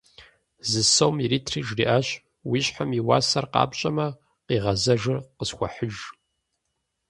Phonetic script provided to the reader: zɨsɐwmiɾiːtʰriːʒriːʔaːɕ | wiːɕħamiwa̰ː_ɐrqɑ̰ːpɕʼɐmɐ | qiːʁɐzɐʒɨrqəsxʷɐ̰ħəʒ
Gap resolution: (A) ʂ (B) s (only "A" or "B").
B